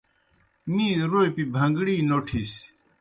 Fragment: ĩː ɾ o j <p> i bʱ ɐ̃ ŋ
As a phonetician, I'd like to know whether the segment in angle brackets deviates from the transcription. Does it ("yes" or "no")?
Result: no